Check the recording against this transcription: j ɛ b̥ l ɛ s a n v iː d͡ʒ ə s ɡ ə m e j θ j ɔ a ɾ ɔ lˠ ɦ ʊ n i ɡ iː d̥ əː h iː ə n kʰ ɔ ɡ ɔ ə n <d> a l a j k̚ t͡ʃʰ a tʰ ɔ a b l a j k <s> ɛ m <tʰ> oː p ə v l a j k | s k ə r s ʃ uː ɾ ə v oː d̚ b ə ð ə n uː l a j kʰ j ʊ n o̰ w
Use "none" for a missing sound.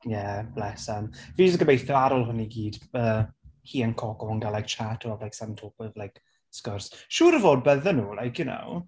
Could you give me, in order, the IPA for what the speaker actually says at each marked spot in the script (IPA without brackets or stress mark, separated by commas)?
ɡ, s, tʰ